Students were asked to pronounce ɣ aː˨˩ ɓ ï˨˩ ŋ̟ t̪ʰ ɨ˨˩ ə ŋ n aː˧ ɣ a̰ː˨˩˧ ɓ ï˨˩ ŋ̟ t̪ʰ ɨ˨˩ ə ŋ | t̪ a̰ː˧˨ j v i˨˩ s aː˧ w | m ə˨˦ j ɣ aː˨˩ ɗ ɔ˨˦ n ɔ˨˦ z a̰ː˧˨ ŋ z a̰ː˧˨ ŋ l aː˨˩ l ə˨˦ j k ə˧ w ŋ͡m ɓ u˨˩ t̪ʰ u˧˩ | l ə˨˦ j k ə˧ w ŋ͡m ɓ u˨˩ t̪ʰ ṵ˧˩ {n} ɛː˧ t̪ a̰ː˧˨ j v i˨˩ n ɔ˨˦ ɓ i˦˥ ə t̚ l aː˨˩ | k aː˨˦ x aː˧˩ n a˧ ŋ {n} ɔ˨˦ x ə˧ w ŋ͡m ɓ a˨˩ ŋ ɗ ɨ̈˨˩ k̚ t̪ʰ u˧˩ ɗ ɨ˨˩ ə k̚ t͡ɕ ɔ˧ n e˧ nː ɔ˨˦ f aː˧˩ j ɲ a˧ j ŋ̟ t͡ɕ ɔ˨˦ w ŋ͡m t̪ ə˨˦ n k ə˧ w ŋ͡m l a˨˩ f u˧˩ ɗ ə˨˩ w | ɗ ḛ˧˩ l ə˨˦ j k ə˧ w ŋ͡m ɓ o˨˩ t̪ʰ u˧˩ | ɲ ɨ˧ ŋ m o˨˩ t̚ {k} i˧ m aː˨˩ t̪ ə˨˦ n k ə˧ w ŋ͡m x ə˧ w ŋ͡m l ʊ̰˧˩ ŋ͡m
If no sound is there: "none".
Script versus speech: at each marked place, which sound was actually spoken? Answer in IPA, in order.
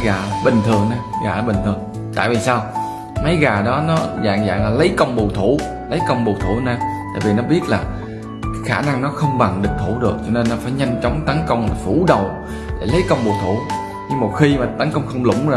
n, n, x

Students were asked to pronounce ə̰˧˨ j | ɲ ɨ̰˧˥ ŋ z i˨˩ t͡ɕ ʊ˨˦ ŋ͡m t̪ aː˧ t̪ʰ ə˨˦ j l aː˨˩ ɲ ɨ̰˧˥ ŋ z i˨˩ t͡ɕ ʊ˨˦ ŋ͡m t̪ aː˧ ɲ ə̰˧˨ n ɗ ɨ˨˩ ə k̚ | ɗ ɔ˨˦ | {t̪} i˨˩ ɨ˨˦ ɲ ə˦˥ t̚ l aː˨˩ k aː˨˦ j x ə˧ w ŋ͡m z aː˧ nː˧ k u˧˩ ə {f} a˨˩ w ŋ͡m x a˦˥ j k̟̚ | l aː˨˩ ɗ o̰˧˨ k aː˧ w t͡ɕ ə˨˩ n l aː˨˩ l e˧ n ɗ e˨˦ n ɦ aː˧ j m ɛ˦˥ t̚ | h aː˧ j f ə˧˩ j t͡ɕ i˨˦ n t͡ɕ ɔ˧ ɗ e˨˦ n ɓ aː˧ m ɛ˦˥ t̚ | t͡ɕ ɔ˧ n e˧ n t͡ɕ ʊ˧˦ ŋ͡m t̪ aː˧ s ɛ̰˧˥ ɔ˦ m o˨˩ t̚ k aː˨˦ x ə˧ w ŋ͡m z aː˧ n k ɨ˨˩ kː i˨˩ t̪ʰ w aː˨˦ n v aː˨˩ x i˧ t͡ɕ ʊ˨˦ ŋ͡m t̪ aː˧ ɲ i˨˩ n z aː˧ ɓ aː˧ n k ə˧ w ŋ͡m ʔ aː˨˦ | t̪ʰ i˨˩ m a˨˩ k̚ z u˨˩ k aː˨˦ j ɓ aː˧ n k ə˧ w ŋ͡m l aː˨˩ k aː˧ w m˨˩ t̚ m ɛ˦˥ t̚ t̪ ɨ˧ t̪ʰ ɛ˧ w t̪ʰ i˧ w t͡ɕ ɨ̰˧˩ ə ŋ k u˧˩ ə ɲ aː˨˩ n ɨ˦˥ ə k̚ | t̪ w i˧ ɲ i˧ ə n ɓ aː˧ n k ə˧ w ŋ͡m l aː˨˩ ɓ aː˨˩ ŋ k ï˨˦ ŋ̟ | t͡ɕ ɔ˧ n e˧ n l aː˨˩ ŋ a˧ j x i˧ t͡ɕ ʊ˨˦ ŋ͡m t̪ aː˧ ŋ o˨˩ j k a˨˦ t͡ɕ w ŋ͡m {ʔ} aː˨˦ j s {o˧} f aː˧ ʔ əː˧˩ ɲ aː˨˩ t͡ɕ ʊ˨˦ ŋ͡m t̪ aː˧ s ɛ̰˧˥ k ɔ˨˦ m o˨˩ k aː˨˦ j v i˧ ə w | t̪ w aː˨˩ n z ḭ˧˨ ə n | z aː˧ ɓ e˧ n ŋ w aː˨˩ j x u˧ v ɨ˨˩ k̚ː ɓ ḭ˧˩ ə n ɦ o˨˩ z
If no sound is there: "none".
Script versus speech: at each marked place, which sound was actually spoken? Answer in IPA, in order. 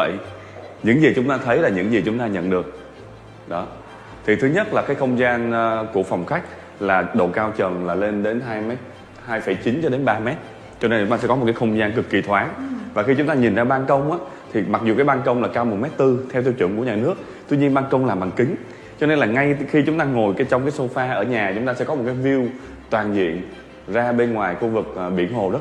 t̪ʰ, f, k, o˧

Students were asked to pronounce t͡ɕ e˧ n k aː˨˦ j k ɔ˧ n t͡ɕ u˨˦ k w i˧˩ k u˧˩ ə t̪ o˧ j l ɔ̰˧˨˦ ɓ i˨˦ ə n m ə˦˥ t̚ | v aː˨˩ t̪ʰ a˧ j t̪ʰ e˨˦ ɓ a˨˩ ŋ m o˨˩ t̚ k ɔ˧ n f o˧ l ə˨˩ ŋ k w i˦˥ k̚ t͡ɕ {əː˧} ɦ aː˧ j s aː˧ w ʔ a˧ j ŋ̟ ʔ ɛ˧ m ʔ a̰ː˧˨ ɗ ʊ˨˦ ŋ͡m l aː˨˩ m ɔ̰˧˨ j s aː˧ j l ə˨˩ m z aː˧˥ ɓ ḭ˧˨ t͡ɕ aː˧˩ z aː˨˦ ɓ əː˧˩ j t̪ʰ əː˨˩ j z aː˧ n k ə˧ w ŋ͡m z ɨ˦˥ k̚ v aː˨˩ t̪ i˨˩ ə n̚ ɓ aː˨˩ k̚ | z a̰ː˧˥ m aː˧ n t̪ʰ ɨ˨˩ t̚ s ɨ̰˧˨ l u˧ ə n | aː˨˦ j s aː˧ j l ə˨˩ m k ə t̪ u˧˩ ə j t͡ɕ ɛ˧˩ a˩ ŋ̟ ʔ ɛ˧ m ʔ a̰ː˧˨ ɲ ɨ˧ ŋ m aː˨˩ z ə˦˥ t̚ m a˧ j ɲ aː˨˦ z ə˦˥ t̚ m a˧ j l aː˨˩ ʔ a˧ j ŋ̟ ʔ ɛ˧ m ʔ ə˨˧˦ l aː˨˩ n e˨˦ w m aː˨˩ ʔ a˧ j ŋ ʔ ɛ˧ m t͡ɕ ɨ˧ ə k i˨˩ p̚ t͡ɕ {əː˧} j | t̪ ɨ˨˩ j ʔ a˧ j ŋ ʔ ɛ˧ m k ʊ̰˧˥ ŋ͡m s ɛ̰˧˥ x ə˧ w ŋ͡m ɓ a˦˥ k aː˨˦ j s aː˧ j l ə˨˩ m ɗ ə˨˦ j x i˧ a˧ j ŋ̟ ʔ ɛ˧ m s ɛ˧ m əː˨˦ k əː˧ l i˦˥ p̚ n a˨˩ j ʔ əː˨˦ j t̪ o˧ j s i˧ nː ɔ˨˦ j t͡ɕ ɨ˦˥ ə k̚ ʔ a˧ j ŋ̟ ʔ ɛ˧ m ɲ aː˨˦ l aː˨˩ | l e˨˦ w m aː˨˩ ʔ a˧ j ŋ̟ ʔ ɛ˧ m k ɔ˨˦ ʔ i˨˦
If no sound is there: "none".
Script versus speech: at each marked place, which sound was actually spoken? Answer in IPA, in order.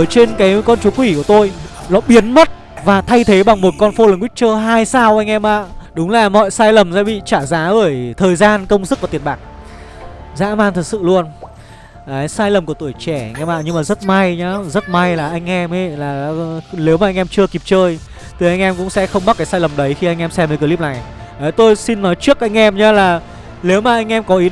əː˧, əː˧

